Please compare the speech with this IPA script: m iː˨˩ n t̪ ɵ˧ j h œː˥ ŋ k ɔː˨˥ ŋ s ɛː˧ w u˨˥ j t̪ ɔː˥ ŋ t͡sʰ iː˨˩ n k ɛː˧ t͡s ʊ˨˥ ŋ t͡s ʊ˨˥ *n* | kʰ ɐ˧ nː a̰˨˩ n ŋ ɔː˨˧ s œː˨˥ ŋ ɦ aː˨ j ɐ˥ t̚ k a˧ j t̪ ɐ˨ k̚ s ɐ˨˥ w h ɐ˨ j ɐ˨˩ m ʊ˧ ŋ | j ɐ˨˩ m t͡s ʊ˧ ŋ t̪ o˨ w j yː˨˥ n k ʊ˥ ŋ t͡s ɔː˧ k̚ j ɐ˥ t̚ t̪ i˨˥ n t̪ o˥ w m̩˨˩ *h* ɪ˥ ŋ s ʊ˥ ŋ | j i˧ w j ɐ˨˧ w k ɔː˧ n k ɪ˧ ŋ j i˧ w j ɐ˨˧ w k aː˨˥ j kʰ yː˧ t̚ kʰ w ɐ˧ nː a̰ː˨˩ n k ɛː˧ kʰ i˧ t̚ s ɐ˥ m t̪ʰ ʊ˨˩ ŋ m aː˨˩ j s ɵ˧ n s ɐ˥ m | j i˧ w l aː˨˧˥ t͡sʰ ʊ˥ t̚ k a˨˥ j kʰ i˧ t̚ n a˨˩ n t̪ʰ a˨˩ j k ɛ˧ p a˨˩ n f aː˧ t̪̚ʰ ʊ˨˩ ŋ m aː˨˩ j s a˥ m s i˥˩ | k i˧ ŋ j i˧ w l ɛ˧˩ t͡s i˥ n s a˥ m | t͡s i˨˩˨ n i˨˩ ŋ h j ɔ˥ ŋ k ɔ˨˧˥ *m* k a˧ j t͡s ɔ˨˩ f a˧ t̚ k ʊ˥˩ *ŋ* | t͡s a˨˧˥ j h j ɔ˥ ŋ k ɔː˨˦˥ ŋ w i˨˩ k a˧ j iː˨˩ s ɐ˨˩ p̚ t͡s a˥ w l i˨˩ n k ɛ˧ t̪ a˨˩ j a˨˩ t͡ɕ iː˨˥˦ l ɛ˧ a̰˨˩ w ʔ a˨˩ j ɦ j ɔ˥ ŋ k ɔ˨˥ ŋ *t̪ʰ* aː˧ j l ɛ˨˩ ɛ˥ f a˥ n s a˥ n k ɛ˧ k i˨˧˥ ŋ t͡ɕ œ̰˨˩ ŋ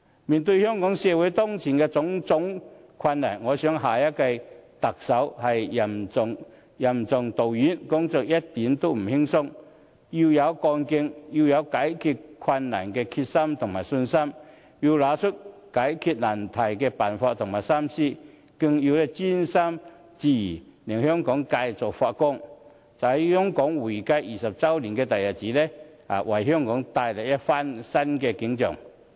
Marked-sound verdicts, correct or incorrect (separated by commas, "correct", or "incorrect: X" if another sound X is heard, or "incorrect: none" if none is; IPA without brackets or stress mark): incorrect: ŋ, correct, incorrect: ŋ, correct, incorrect: t̪